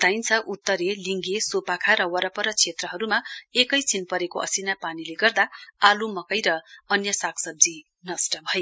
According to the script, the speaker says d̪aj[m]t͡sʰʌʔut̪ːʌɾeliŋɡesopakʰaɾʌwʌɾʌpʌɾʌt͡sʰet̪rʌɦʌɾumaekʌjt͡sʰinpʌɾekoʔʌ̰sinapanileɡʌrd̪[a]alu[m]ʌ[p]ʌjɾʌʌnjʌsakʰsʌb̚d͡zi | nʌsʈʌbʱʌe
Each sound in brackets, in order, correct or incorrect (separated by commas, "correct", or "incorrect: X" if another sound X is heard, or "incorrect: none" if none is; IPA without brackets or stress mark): incorrect: n, correct, correct, incorrect: k